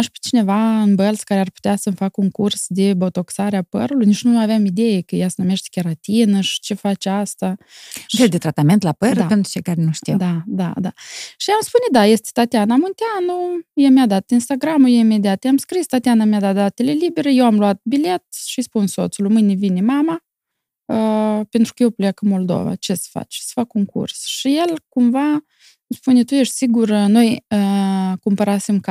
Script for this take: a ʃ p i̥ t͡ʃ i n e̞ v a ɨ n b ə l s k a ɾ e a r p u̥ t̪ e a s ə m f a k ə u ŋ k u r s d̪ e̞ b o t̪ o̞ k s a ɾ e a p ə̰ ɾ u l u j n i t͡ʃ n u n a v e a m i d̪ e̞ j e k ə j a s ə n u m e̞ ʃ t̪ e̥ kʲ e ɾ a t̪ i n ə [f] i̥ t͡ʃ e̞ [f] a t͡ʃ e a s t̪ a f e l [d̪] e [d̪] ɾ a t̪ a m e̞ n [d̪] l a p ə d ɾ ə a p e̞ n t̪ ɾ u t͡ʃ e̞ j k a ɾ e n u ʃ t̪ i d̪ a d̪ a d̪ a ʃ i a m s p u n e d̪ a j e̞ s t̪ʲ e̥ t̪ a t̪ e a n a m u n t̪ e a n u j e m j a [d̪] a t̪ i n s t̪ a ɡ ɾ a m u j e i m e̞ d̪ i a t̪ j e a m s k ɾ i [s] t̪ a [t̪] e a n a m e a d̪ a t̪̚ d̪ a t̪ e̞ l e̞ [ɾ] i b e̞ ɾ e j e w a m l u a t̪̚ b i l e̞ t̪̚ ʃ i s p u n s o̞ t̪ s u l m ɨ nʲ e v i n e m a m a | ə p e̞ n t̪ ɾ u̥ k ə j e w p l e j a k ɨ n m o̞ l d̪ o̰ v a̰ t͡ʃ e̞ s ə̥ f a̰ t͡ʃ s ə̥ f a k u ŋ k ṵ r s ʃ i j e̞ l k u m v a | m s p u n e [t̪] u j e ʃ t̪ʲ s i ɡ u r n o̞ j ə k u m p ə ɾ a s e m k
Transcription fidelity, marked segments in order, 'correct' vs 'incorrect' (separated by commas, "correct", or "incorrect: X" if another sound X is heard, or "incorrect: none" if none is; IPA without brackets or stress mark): incorrect: ʃ, correct, correct, incorrect: t̪, incorrect: t̪, correct, correct, correct, incorrect: l, correct